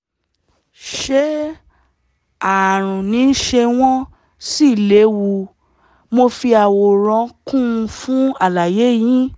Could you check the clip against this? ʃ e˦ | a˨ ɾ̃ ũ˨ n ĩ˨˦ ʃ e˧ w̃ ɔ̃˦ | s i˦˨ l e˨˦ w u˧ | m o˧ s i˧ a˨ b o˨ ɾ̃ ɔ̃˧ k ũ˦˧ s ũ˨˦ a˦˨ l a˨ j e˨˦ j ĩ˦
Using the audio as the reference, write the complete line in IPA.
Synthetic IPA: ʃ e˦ | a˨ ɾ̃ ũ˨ n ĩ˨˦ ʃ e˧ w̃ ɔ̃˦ | s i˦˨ l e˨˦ w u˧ | m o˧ f i˧ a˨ w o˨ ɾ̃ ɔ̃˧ k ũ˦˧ f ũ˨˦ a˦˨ l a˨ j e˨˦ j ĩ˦